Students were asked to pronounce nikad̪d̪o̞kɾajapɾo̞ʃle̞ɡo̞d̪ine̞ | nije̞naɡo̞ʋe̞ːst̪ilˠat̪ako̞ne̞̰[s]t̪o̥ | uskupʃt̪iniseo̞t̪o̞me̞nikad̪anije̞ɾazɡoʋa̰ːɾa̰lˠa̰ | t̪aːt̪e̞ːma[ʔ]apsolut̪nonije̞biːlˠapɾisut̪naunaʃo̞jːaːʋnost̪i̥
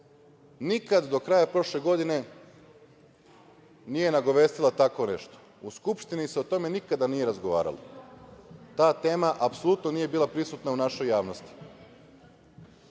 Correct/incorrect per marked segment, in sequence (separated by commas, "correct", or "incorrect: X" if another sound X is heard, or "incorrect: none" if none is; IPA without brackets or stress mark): incorrect: ʃ, correct